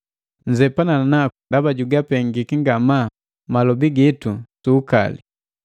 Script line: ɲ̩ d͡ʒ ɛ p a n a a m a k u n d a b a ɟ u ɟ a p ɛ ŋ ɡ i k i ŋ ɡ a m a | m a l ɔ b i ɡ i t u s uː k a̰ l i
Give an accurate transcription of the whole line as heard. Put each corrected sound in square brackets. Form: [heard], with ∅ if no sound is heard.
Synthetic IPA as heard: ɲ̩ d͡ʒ ɛ p a n a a [n] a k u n d a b a ɟ u [ɡ] a p ɛ ŋ ɡ i k i ŋ ɡ a m a | m a l ɔ b i ɡ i t u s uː k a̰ l i